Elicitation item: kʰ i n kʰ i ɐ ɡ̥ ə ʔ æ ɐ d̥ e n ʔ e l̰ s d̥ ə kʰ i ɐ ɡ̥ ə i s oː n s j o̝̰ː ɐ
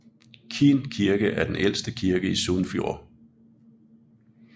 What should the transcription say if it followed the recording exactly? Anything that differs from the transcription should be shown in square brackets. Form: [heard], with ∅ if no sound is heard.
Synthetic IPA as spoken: kʰ i n kʰ i ɐ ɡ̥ ə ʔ æ ɐ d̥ e n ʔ e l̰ s d̥ ə kʰ i ɐ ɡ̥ ə i s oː n [f] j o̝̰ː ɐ